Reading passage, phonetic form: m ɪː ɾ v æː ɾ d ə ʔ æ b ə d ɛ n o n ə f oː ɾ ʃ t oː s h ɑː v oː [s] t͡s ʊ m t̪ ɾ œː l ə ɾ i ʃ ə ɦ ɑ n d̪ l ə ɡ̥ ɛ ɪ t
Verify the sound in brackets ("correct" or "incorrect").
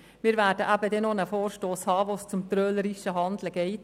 correct